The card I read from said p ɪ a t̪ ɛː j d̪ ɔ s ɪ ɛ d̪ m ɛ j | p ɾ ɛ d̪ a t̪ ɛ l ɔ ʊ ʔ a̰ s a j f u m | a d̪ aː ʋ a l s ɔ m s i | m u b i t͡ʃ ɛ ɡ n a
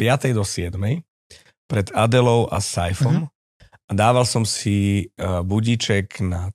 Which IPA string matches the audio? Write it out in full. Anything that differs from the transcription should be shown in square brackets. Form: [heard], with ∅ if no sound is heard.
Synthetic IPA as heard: p ɪ a t̪ [ɛ] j d̪ ɔ s ɪ ɛ d̪ m ɛ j | p ɾ ɛ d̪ a [d̪] ɛ l ɔ ʊ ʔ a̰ s a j f [ɔ] m | a d̪ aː ʋ a l s ɔ m s i | [b] u [ɟ] i t͡ʃ ɛ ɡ n a